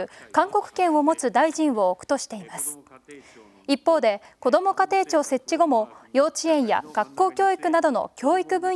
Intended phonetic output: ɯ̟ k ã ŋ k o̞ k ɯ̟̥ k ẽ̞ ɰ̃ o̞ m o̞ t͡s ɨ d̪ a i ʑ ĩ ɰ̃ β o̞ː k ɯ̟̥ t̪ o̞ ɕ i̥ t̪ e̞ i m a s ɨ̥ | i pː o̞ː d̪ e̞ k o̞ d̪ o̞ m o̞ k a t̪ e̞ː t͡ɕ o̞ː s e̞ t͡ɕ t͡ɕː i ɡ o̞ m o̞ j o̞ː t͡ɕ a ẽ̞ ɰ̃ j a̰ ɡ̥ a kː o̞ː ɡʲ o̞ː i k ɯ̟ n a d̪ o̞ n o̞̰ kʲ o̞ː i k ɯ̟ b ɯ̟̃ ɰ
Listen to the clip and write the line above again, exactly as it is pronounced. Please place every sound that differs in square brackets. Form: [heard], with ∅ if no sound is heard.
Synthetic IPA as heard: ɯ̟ k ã ŋ k o̞ k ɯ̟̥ k ẽ̞ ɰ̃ o̞ m o̞ t͡s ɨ d̪ a i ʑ ĩ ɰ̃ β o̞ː k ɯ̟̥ t̪ o̞ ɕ i̥ t̪ e̞ i m a s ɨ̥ | i pː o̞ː d̪ e̞ k o̞ d̪ o̞ m o̞ k a t̪ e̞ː t͡ɕ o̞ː s e̞ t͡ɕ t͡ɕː i ɡ o̞ m o̞ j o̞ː t͡ɕ [i] ẽ̞ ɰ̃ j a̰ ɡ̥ a kː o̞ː [kʲ] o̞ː i k ɯ̟ n a d̪ o̞ n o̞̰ kʲ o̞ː i k ɯ̟ b ɯ̟̃ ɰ

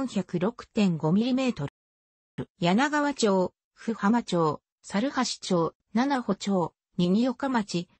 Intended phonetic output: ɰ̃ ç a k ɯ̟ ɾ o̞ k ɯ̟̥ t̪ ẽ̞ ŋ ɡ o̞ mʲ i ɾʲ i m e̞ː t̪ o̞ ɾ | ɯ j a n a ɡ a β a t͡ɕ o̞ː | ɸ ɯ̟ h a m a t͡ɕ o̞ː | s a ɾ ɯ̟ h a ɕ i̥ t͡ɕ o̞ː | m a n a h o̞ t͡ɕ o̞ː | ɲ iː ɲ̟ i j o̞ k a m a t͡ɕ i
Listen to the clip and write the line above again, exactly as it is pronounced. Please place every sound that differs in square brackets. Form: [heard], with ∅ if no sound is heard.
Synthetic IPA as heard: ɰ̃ ç a k ɯ̟ ɾ o̞ k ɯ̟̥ t̪ ẽ̞ ŋ ɡ o̞ mʲ i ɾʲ i m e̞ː t̪ o̞ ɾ | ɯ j a n a ɡ a β a t͡ɕ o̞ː | ɸ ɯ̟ h a m a t͡ɕ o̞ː | s a ɾ ɯ̟ h a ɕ i̥ t͡ɕ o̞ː | [n] a n a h o̞ t͡ɕ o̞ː | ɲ [i] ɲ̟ i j o̞ k a m a t͡ɕ i

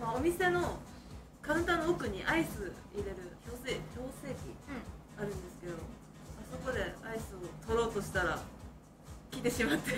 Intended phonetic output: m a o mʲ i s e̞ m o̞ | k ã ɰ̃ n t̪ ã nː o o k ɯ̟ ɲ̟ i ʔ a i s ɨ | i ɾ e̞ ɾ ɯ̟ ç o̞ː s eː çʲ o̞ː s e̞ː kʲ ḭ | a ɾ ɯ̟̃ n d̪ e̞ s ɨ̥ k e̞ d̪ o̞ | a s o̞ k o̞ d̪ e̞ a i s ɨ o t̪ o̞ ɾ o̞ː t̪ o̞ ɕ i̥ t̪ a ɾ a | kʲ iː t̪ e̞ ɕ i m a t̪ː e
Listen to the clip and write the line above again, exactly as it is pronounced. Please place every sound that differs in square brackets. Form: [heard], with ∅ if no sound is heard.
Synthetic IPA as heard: m a o mʲ i s e̞ [n] o̞ | k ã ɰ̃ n t̪ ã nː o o k ɯ̟ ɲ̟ i ʔ a i s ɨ | i ɾ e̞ ɾ ɯ̟ ç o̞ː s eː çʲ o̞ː s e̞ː kʲ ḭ | a ɾ ɯ̟̃ n d̪ e̞ s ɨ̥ k e̞ d̪ o̞ | a s o̞ k o̞ d̪ e̞ a i s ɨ o t̪ o̞ ɾ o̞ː t̪ o̞ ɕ i̥ t̪ a ɾ a | kʲ [i] t̪ e̞ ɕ i m a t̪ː e

